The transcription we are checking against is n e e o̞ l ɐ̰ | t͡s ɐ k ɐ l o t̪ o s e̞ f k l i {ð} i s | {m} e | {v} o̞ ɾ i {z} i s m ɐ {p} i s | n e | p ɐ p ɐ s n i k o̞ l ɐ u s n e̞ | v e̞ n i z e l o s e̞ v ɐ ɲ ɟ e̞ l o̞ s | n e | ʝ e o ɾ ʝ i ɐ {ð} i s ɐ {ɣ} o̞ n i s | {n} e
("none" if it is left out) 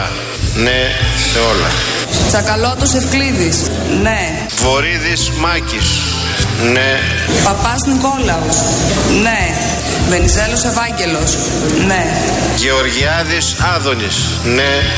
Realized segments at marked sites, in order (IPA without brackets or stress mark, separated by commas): ð, n, v, ð, c, ð, ð, n